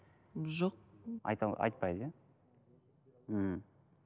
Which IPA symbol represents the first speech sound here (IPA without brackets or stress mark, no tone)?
ʒ